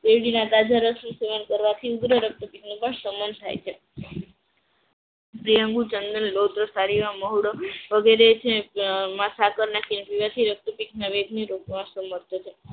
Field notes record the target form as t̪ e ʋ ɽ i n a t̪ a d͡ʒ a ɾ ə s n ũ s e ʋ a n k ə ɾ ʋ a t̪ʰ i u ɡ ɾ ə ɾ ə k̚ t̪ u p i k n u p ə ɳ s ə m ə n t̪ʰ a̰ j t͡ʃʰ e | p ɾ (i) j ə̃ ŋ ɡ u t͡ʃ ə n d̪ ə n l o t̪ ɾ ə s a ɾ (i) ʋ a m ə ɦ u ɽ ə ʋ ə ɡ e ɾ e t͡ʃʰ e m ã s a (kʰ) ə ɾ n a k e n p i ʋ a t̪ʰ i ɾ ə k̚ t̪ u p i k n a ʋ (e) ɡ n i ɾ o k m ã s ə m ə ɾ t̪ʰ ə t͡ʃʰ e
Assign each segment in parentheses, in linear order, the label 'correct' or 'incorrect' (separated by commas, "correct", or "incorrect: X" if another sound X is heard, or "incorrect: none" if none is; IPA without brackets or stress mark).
correct, correct, incorrect: k, correct